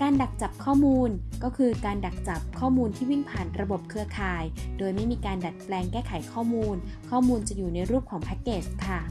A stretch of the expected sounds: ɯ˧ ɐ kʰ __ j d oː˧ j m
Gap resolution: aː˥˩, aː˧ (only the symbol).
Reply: aː˧